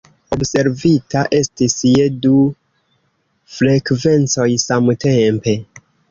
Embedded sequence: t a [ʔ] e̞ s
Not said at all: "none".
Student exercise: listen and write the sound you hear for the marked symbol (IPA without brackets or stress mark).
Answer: ʔ